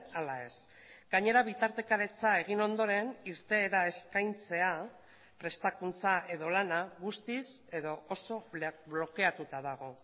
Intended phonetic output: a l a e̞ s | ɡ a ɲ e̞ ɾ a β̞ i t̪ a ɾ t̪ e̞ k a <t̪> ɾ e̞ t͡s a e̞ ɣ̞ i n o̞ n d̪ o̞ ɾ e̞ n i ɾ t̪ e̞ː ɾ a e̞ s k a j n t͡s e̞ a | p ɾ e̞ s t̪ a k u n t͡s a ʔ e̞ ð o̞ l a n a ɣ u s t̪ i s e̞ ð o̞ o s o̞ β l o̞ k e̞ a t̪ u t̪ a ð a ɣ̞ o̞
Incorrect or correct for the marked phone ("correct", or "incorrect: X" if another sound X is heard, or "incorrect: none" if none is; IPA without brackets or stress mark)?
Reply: incorrect: none